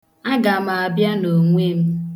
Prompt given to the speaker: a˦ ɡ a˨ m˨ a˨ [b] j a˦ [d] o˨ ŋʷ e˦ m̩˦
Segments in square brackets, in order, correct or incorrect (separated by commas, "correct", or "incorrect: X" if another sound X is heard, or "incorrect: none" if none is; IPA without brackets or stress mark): correct, incorrect: n